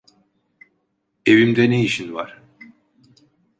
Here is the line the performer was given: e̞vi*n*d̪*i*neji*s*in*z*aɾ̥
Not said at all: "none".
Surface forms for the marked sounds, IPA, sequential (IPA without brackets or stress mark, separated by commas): m, ɛ, ʃ, v